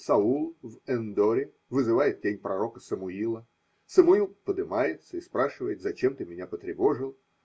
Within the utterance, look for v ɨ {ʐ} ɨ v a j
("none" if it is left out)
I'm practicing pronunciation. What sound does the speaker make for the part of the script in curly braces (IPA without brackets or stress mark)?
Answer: z